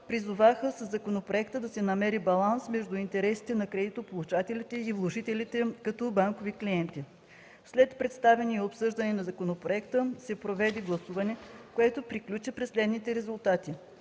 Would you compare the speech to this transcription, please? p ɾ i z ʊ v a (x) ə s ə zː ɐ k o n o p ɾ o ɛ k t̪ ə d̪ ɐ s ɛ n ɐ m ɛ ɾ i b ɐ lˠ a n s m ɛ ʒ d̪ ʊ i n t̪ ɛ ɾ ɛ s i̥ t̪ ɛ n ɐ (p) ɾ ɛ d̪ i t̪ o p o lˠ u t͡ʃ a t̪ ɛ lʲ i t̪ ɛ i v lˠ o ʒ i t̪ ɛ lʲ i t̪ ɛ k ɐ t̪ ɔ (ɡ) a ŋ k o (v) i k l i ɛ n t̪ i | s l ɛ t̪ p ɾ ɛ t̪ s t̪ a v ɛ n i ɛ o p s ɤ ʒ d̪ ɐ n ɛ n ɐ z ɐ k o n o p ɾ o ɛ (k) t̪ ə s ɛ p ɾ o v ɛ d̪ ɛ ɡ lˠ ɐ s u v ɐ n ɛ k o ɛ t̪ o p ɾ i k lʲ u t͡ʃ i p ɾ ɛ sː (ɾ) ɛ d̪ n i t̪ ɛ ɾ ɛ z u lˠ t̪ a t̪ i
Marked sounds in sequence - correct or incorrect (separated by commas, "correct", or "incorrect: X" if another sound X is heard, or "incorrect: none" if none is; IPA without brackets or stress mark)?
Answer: correct, incorrect: k, incorrect: b, correct, correct, incorrect: l